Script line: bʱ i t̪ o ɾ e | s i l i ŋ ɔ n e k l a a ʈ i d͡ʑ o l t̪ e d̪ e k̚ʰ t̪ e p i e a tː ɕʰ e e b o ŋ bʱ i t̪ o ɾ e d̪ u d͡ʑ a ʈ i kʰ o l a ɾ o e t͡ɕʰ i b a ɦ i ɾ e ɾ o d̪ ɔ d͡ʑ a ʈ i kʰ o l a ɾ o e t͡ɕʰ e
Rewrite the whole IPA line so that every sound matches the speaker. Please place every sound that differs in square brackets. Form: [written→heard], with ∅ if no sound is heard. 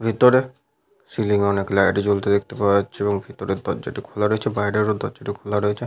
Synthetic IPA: bʱ i t̪ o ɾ e | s i l i ŋ ɔ n e k l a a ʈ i d͡ʑ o l t̪ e d̪ e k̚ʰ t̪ e p [i→a] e a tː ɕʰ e e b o ŋ bʱ i t̪ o ɾ e d̪ [u→ɔ] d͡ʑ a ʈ i kʰ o l a ɾ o e t͡ɕʰ [i→e] b a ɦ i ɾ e ɾ o d̪ ɔ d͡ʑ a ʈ i kʰ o l a ɾ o e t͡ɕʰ e